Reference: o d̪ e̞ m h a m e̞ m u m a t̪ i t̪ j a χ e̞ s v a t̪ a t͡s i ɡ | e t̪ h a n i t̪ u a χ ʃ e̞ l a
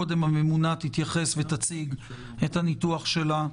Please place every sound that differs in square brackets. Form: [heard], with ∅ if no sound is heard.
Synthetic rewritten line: o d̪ e̞ m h a m e̞ m u [n] a t̪ i t̪ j a χ e̞ s v [e] t̪ a t͡s i ɡ | e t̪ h a n i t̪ u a χ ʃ e̞ l a